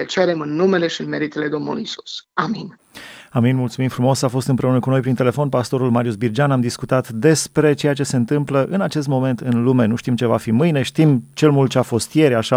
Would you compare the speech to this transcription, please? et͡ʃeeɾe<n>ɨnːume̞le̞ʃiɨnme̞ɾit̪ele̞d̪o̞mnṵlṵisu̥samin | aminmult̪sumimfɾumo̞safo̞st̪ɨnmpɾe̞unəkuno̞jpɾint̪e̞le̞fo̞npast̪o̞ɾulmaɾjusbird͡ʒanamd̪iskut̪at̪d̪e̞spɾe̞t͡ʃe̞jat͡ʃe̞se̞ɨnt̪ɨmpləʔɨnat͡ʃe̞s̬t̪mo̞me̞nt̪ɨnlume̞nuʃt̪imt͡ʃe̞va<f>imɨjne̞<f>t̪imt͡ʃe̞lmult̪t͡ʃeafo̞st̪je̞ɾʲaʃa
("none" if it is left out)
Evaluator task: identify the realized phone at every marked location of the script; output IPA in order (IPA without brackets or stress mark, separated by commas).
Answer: m, f, ʃ